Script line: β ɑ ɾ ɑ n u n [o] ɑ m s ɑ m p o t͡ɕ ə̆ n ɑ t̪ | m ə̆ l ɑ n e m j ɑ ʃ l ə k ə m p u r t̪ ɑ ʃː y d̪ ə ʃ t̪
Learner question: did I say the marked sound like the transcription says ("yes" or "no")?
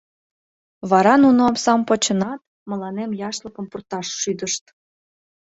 yes